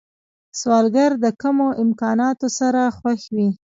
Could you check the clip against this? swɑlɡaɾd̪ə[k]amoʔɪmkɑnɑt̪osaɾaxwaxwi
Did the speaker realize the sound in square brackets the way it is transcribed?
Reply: yes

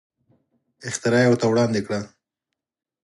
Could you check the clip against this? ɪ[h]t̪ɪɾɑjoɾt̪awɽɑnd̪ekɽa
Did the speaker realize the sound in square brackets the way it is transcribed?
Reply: no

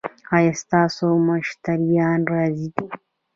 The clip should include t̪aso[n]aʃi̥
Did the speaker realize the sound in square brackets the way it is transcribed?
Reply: no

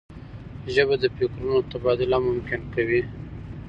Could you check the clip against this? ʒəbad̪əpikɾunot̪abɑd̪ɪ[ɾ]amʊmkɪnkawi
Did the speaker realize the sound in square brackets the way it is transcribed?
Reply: no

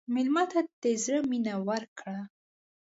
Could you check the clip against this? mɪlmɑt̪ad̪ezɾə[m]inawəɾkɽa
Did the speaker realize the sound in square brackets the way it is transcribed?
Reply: yes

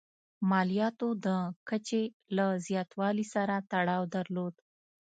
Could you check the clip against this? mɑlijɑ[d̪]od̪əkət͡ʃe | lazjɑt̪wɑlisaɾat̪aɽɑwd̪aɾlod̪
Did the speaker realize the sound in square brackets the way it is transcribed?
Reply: no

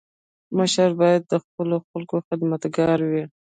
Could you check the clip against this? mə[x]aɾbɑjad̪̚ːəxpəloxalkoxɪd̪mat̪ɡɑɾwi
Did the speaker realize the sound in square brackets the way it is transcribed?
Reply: no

